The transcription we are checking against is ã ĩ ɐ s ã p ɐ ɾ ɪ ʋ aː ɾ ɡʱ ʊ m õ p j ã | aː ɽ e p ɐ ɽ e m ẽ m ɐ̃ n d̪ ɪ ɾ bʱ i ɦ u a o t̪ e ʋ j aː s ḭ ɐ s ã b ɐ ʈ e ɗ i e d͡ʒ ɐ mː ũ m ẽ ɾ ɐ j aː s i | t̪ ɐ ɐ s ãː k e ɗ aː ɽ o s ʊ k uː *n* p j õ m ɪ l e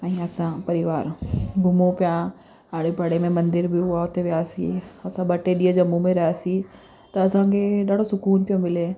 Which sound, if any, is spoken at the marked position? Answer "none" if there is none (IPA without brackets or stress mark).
n